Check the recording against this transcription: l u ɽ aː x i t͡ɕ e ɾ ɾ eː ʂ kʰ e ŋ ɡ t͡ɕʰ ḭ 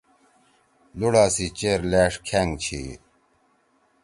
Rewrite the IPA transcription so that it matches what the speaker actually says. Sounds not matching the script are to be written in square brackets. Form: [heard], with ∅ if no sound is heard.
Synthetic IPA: l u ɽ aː [s] i t͡ɕ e ɾ [l] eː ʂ kʰ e ŋ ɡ t͡ɕʰ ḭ